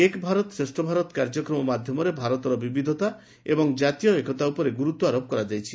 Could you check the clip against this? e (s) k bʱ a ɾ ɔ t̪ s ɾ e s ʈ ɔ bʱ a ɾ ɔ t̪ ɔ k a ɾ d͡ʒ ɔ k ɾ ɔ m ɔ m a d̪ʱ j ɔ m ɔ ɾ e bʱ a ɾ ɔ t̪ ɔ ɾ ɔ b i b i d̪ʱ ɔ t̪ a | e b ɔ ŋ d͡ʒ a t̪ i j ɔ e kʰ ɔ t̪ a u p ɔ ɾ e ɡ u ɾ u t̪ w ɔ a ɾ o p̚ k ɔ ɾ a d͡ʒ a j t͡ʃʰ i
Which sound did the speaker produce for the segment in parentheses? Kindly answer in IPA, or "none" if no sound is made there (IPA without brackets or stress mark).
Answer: none